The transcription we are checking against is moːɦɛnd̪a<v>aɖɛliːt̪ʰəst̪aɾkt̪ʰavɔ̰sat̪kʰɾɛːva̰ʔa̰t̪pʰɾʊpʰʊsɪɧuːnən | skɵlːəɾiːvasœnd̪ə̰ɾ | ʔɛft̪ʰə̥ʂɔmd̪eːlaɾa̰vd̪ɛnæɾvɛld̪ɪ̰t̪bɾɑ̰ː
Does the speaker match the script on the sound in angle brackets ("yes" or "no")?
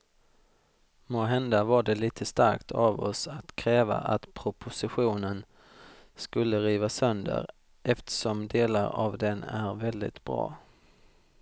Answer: yes